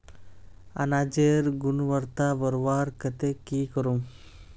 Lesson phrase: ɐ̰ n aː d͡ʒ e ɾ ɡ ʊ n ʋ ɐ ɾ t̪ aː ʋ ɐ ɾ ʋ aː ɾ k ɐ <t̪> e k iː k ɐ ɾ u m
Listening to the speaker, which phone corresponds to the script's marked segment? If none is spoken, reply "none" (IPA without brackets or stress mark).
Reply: t̪